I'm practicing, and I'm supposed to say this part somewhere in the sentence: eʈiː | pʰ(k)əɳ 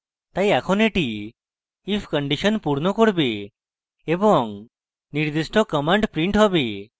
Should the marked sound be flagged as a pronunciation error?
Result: no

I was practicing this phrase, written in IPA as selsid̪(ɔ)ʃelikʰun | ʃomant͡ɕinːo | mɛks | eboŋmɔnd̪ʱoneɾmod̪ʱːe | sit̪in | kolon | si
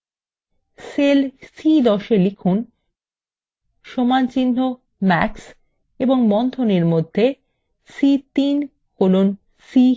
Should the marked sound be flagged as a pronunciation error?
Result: no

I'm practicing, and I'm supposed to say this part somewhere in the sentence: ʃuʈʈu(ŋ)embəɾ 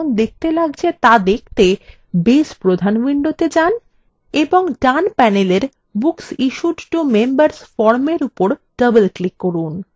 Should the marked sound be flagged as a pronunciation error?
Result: yes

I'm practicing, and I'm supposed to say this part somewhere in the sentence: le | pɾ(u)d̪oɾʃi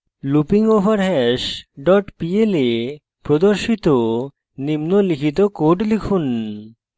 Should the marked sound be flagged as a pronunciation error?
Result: yes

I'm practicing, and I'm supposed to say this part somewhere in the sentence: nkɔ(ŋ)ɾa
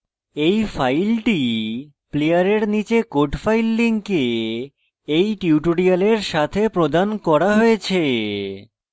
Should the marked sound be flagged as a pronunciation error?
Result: yes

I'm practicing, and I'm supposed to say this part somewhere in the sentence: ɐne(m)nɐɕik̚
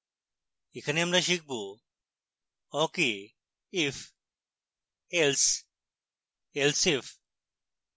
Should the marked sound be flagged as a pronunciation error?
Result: no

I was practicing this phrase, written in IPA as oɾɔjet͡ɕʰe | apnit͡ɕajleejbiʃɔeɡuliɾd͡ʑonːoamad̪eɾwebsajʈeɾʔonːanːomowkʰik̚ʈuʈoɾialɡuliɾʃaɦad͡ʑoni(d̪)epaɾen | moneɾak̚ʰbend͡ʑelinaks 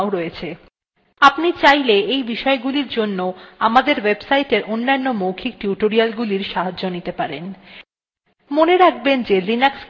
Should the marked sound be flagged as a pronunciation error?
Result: yes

